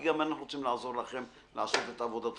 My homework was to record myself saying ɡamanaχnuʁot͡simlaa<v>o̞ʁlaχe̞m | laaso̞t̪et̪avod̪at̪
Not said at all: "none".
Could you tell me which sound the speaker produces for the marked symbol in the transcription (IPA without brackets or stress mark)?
z